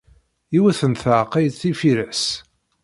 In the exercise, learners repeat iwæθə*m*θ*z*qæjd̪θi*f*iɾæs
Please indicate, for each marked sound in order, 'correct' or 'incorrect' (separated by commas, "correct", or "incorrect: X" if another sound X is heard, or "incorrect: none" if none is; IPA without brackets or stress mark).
incorrect: n, incorrect: ʕ, correct